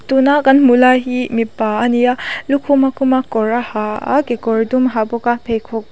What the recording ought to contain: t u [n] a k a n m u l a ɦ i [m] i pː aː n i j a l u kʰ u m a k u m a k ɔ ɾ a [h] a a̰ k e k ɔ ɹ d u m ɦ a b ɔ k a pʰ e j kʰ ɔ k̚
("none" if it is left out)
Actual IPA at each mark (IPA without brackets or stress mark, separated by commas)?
n, m, h